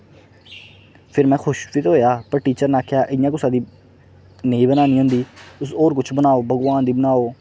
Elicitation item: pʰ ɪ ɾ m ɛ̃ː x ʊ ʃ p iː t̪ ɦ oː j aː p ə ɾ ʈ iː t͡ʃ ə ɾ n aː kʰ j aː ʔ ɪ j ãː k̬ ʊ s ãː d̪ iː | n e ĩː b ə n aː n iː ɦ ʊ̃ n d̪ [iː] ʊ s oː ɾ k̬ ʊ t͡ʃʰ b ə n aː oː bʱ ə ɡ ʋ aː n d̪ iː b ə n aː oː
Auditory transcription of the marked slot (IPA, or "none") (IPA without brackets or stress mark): iː